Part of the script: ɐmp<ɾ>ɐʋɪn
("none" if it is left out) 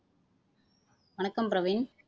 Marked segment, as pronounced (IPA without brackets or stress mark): ɾ